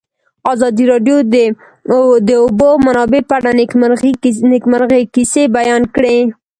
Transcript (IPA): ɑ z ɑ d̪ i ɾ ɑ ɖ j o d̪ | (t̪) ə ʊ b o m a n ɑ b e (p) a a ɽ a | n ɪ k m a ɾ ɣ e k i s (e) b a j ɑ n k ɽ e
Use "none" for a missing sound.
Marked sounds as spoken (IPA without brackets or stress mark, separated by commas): d̪, p, e